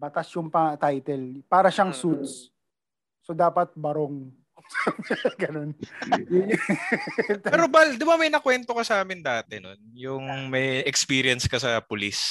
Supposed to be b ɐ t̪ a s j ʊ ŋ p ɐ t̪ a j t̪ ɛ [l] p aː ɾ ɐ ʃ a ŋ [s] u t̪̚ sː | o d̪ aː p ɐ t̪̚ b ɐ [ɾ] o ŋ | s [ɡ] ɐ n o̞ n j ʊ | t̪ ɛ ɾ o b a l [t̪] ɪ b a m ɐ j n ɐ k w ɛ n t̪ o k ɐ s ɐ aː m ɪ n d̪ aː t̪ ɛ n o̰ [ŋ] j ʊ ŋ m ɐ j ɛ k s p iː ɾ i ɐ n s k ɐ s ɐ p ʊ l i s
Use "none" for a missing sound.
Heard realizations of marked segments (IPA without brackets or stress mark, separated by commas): l, s, ɾ, ɡ, d̪, n